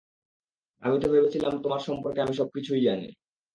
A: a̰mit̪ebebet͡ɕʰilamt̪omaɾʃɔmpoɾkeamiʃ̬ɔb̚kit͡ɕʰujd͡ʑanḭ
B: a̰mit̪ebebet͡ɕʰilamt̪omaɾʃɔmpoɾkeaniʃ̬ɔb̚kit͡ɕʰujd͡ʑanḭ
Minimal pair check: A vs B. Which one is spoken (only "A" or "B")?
A